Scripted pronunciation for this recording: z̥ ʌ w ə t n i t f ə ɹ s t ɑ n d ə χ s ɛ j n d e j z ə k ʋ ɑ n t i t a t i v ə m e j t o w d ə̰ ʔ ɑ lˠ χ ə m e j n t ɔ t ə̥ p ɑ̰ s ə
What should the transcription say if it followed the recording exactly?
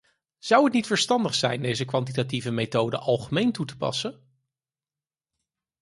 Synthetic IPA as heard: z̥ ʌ w ə t n i t f ə ɹ s t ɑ n d ə χ s ɛ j n d e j z ə k ʋ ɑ n t i t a t i v ə m e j t o w d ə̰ ʔ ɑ lˠ χ ə m e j n t u t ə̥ p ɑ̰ s ə